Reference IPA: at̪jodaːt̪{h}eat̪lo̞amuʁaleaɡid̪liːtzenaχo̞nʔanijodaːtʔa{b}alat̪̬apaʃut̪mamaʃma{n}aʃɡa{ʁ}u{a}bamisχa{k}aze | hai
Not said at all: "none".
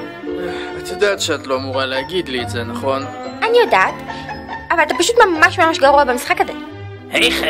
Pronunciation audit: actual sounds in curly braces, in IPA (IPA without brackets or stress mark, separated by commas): ʃ, v, m, ʁ, a, k